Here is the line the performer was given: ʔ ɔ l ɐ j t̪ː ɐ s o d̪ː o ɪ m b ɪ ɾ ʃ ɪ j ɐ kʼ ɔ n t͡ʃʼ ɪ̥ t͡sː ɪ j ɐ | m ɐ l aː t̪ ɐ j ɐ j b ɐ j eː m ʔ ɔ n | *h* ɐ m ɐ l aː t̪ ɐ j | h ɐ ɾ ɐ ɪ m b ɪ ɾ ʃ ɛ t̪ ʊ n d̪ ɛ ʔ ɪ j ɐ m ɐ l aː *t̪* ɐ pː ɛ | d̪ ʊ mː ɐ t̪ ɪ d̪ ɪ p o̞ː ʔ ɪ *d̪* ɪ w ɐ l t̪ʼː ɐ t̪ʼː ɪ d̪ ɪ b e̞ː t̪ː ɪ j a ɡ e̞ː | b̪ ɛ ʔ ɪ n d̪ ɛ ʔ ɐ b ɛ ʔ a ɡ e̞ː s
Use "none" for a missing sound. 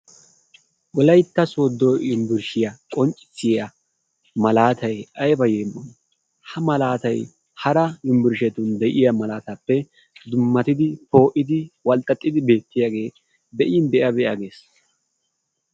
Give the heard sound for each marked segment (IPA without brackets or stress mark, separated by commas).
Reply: h, t̪, d̪